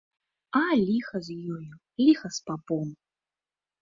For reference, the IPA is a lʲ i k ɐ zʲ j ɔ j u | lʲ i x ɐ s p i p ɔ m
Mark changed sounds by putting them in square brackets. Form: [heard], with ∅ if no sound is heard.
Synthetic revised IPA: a lʲ i [x] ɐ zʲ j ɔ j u | lʲ i x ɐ s p [a] p ɔ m